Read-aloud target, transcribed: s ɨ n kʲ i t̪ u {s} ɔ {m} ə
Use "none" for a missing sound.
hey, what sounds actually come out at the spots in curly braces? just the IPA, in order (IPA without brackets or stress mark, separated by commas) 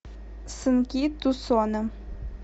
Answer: s, n